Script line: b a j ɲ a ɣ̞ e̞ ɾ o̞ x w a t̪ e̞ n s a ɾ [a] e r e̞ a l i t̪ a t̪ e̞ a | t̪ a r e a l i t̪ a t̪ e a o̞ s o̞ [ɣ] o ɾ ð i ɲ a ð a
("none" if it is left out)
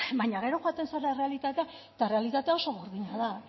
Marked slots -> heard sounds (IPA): a, ɣ

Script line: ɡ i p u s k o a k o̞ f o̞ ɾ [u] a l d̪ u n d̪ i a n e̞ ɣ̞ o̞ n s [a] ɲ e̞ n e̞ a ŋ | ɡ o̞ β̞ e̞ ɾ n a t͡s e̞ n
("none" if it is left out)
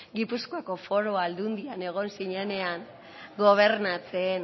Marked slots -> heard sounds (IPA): o, i

